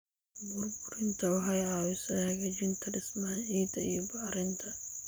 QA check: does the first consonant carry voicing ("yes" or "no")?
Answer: yes